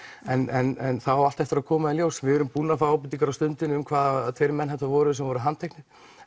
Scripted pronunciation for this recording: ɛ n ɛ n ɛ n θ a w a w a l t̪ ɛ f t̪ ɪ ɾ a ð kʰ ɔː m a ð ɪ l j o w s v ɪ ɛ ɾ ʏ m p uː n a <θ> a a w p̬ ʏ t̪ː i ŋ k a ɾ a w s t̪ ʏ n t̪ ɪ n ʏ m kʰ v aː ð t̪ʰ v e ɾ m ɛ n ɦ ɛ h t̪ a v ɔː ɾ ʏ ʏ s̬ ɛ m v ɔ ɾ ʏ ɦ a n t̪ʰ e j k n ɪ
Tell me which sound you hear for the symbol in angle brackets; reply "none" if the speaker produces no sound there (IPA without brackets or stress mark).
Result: f